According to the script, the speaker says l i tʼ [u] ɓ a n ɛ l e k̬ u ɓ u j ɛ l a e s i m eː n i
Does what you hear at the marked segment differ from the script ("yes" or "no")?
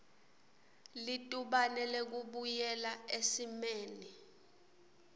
no